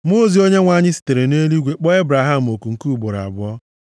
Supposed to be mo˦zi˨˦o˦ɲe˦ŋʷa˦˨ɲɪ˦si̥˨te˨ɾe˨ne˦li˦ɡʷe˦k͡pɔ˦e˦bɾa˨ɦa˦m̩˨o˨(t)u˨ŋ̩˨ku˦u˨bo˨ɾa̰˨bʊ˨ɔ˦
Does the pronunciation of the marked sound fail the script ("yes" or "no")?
yes